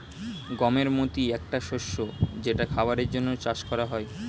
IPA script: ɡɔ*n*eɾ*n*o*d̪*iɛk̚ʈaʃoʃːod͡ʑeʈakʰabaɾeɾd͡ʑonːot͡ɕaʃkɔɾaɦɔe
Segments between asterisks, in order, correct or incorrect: incorrect: m, incorrect: m, incorrect: t̪

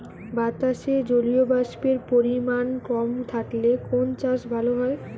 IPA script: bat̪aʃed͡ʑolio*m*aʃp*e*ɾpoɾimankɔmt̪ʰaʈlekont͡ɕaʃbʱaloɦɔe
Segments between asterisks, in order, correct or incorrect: incorrect: b, correct

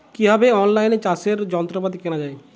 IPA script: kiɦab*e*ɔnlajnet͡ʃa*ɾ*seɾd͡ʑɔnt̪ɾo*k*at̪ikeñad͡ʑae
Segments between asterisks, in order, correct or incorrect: correct, incorrect: none, incorrect: p

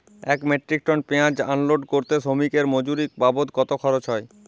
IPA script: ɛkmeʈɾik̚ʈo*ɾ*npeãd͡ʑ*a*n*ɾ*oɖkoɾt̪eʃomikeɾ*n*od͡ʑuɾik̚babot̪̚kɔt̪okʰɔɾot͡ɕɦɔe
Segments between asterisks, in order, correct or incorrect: incorrect: none, correct, incorrect: l, incorrect: m

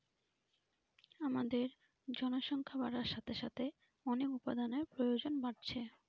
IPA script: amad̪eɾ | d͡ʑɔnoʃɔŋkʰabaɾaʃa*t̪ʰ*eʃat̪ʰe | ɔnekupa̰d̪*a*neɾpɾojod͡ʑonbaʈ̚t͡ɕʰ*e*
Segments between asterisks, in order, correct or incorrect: correct, correct, correct

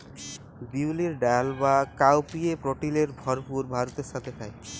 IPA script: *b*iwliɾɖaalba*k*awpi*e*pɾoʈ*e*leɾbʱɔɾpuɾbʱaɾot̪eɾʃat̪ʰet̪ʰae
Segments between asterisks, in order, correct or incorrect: correct, correct, correct, incorrect: i

